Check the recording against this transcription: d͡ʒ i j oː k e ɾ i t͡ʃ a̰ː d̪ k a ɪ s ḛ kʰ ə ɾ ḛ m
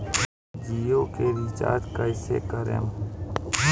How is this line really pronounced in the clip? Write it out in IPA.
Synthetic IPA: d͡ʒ i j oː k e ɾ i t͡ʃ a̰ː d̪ k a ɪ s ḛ k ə ɾ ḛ m